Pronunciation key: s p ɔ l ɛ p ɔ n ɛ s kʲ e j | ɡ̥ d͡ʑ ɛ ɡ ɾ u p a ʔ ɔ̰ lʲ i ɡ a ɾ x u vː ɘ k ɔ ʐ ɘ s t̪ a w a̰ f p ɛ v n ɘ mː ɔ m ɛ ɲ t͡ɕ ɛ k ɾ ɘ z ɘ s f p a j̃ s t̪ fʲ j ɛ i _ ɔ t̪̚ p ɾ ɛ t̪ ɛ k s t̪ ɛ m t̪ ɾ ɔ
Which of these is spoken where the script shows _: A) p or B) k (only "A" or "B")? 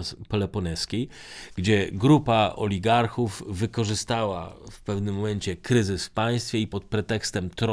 A